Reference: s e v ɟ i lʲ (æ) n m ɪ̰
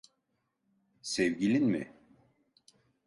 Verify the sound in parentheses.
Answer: incorrect: i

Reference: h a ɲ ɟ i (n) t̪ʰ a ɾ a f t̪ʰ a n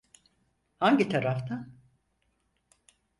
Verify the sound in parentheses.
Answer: incorrect: none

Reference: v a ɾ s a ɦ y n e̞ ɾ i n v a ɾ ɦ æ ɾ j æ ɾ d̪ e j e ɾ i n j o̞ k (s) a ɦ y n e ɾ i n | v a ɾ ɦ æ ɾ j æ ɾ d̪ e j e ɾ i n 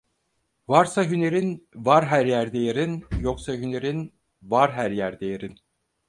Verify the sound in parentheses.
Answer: correct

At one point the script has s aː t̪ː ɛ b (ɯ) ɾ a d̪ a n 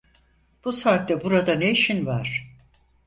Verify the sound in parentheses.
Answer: incorrect: u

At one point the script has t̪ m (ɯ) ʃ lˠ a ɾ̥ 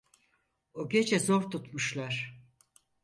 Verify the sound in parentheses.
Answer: incorrect: u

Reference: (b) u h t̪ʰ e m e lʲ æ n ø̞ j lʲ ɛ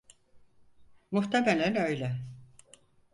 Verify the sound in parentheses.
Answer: incorrect: m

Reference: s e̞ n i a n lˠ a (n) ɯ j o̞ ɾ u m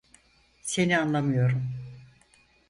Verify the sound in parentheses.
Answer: incorrect: m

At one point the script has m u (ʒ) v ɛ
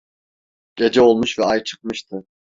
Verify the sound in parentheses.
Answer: incorrect: ʃ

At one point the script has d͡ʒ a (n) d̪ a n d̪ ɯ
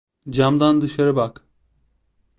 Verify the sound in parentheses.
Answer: incorrect: m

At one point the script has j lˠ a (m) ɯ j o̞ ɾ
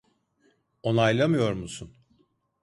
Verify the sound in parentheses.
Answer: correct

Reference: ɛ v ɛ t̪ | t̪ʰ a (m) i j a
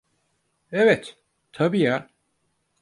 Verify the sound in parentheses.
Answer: incorrect: b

